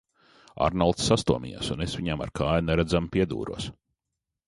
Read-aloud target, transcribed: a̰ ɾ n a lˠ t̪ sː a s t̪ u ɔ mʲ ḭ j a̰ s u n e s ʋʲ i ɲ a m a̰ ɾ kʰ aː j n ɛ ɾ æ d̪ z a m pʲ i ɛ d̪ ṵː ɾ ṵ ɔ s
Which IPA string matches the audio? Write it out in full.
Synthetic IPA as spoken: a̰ ɾ n a lˠ t̪ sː a s t̪ u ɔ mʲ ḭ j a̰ s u n e s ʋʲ i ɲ a m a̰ ɾ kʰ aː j n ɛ ɾ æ d̪ z a m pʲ i ɛ d̪ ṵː ɾ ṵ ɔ s